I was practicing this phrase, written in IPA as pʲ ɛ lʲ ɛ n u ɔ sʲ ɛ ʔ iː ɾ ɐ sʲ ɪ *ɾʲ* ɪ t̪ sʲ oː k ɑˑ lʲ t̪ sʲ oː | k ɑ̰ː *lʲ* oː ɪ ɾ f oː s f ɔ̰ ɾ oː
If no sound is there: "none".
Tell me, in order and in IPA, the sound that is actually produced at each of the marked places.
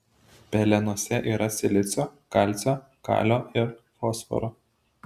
lʲ, lʲ

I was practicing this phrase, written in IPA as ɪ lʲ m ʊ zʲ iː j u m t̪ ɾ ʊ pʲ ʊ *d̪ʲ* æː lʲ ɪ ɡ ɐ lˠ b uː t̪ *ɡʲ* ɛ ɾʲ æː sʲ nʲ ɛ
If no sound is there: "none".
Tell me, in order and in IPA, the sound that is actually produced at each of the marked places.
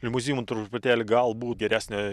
t̪ʲ, ɡʲ

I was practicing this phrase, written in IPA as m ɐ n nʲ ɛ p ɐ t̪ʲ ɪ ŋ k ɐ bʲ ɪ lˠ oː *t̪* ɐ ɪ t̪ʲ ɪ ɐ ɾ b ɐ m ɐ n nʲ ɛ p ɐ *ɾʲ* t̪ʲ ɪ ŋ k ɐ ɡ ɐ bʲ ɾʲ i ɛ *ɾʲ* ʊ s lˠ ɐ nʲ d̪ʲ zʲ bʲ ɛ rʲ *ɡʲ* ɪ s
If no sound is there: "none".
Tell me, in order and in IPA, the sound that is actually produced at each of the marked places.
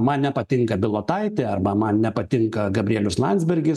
t̪, none, lʲ, ɡʲ

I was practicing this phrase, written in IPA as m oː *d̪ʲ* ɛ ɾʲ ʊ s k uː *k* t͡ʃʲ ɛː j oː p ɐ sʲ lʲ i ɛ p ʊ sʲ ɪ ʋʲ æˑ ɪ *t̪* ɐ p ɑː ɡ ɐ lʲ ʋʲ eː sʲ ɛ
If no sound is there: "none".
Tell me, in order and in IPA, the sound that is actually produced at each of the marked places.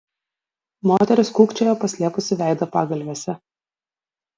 t̪ʲ, k, d̪

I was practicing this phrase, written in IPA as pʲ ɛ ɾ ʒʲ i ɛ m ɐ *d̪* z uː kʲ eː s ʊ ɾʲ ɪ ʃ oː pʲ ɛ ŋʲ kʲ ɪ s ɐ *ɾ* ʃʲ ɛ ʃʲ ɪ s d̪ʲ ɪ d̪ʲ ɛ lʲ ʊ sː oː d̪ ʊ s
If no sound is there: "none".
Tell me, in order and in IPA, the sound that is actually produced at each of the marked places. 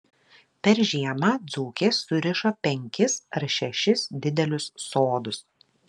d̪, ɾ

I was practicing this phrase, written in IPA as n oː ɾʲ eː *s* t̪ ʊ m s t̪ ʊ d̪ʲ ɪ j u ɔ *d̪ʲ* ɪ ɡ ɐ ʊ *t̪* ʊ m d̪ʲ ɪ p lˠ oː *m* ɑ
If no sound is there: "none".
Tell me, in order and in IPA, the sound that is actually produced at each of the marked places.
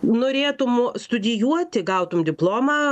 none, t̪ʲ, t̪, m

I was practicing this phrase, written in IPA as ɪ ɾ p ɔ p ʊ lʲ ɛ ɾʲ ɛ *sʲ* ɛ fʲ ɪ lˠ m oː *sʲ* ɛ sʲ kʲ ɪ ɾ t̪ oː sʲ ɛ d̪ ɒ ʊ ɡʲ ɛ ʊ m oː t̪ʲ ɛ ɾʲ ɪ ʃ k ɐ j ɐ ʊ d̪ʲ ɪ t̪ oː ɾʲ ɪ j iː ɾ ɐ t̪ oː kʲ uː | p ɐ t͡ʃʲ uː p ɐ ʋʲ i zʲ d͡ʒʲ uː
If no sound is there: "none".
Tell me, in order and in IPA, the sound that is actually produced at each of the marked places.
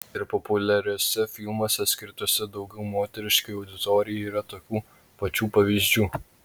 sʲ, sʲ

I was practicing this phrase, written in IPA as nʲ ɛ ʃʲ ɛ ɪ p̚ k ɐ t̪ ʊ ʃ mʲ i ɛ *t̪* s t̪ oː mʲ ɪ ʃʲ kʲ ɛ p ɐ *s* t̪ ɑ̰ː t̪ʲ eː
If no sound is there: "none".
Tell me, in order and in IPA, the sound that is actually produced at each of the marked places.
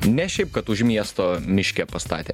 none, s

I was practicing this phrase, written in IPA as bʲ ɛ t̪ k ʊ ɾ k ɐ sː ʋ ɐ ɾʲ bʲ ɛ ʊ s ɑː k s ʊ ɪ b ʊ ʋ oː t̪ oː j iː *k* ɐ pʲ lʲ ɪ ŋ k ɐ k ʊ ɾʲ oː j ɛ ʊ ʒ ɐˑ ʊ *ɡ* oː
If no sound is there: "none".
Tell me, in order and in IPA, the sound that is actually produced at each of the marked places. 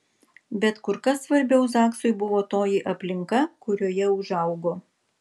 ʔ, ɡ

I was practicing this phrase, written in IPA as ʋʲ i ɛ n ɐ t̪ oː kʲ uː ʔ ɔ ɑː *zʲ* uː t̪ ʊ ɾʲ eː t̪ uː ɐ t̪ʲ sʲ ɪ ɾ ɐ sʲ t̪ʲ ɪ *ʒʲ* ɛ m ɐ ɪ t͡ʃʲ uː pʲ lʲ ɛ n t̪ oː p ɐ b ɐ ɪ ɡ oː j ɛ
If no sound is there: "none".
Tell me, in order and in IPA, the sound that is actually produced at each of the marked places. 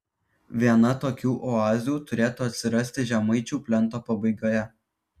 zʲ, ʒʲ

